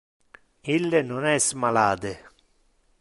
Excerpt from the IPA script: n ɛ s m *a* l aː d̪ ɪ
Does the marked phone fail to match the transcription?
no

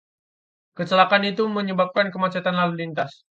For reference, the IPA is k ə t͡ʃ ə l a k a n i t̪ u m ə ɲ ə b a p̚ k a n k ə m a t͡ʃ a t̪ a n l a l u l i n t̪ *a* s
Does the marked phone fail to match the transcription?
no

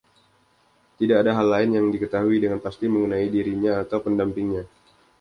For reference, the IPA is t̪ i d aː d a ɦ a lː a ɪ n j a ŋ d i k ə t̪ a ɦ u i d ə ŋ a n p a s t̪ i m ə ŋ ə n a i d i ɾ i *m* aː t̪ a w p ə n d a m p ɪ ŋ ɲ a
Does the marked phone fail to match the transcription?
yes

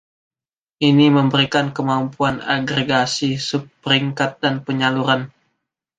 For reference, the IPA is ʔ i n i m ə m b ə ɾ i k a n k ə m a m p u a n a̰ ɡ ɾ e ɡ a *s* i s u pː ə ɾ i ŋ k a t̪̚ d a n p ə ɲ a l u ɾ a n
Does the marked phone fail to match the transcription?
no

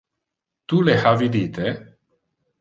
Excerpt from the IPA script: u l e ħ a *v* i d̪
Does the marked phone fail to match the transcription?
no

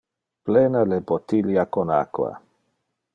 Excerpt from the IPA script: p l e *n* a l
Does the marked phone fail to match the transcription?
no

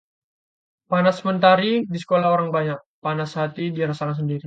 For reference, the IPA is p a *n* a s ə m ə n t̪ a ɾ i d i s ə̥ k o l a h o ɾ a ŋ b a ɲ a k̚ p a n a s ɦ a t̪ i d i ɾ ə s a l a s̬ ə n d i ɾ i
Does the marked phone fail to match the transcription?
no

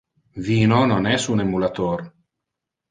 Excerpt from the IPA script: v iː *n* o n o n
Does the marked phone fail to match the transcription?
no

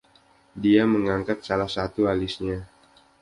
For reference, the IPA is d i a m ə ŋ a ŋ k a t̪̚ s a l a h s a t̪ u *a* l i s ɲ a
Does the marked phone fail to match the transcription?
no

